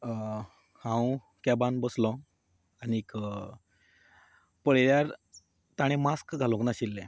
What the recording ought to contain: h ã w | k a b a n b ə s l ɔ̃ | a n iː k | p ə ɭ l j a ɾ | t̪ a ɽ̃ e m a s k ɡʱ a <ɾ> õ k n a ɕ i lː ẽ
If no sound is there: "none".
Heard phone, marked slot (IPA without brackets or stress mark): l